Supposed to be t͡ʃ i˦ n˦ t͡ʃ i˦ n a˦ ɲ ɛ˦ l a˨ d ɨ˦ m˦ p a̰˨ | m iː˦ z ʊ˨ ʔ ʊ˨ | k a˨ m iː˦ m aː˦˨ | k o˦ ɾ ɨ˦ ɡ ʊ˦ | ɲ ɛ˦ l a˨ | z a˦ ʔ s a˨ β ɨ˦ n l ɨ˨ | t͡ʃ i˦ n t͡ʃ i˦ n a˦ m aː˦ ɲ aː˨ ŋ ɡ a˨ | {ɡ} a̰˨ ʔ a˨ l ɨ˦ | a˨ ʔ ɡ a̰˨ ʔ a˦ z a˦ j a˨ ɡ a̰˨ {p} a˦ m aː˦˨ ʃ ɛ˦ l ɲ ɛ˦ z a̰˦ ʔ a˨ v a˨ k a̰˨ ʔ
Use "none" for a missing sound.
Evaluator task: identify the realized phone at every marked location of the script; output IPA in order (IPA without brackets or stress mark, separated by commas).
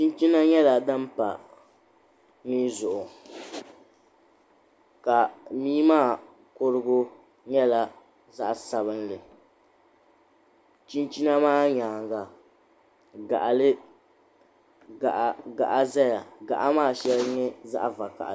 ɡ, ʔ